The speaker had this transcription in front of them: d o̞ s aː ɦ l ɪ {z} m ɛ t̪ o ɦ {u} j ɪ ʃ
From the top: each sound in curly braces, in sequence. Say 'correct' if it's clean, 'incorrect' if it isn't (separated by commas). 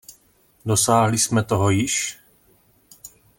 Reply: incorrect, incorrect